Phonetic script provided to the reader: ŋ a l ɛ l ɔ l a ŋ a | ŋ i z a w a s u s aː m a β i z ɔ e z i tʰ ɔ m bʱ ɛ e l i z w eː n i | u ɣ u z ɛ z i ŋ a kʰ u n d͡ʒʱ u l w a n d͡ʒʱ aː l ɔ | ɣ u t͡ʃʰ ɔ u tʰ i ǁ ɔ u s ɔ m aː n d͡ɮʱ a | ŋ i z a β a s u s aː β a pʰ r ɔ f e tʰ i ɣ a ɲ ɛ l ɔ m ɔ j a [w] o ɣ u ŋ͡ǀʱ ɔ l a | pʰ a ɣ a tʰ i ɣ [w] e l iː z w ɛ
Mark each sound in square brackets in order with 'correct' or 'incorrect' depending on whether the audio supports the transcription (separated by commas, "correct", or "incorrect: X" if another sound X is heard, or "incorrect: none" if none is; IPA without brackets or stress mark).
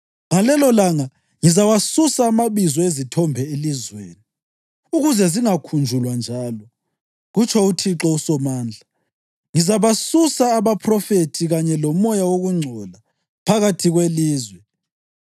correct, correct